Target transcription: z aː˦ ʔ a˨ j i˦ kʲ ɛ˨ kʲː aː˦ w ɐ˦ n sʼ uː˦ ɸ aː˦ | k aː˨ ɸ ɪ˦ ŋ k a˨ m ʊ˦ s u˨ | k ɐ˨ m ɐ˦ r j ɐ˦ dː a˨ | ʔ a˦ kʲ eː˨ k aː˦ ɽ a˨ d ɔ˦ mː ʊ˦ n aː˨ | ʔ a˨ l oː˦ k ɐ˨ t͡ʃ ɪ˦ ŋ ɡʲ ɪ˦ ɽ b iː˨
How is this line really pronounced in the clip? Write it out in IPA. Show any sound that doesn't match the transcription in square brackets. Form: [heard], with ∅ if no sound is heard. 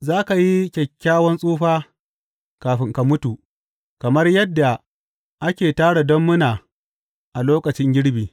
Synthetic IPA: z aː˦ [k] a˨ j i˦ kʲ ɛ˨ kʲː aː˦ w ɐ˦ n sʼ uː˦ ɸ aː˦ | k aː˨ ɸ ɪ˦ ŋ k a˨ m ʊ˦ [t] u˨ | k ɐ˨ m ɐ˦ r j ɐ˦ dː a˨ | ʔ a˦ kʲ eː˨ [t] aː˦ ɽ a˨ d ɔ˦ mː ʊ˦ n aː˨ | ʔ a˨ l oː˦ k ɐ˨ t͡ʃ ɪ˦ ŋ ɡʲ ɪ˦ ɽ b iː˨